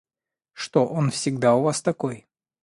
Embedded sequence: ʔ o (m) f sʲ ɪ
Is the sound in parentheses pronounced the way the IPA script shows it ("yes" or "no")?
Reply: no